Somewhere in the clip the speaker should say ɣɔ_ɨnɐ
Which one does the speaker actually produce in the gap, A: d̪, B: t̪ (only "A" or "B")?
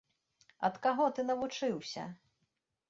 B